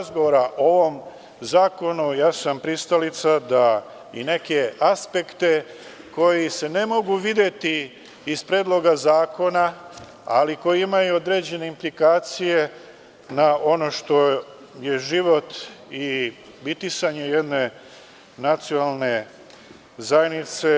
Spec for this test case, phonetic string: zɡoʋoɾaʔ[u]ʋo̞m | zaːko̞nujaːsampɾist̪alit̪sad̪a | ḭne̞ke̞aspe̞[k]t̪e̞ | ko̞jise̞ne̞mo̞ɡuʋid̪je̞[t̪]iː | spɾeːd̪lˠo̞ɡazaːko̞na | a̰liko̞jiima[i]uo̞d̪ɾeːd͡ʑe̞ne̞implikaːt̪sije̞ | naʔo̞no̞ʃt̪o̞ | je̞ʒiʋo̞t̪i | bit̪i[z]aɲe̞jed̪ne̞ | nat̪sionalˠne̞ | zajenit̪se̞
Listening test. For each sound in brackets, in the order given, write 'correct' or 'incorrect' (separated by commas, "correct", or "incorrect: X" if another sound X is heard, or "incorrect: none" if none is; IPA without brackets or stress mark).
incorrect: o, correct, correct, incorrect: j, incorrect: s